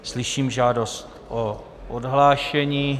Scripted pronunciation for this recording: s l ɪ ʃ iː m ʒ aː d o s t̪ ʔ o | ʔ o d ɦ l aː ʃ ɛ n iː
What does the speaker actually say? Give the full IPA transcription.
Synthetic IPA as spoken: s l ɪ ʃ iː m ʒ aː d o s t̪ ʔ o | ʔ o d ɦ l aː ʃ ɛ ɲ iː